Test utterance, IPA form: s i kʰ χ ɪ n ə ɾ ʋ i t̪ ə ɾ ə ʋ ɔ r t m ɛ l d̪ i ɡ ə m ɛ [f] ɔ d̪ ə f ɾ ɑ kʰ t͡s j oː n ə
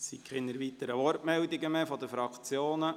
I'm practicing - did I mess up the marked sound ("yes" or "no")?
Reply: no